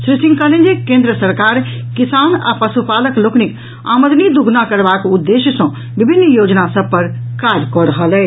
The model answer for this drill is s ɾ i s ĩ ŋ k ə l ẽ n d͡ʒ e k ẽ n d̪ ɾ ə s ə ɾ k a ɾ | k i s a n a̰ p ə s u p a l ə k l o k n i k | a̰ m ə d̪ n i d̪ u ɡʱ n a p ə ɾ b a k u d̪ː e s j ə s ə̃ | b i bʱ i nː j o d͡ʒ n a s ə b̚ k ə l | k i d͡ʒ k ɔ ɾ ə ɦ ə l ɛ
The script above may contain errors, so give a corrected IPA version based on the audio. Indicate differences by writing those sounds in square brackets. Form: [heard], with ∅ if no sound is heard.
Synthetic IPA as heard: s ɾ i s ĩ ŋ k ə l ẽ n d͡ʒ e k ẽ n d̪ ɾ ə s ə ɾ k a ɾ | k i s a n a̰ p ə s u p a l ə k l o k n i k | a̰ m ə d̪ n i d̪ u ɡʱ n a [k] ə ɾ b a k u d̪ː e s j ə s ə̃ | b i bʱ i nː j o d͡ʒ n a s ə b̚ [p] ə [ɾ] | k [a] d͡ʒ k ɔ ɾ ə ɦ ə l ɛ